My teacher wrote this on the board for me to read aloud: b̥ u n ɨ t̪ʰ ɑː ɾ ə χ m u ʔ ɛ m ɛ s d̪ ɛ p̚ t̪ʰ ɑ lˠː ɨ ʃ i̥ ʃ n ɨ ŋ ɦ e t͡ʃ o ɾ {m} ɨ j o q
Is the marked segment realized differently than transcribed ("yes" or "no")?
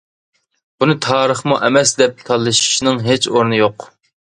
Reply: yes